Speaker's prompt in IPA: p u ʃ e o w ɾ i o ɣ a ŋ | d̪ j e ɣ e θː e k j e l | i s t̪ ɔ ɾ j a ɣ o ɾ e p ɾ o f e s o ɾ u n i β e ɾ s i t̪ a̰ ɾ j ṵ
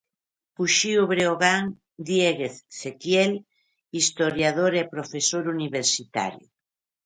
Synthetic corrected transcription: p u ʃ i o β ɾ e o ɣ a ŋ | d̪ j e ɣ e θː e k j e l | i s t̪ o ɾ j a ð o ɾ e p ɾ o f e s o ɾ u n i β e ɾ s i t̪ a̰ ɾ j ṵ